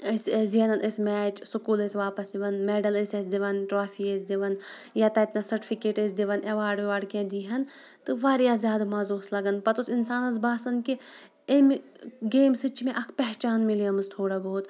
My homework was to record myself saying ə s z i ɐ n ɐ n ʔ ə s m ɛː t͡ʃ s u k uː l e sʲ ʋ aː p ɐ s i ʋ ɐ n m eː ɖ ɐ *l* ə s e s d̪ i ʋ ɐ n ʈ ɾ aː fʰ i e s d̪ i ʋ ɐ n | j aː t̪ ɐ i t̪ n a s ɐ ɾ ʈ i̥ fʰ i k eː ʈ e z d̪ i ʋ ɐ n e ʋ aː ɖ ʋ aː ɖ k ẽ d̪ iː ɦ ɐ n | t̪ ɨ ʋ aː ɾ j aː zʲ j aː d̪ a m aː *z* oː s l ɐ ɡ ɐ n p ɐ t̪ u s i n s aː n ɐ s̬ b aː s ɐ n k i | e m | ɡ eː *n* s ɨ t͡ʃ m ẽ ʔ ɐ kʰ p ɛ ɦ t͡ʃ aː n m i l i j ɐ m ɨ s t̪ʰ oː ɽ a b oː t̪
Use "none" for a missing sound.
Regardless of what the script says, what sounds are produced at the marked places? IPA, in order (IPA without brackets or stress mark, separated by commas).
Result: l, z, m